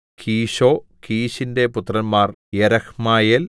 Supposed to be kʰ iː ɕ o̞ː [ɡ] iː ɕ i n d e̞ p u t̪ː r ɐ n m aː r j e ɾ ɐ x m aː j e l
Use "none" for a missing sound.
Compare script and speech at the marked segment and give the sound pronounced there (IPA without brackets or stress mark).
k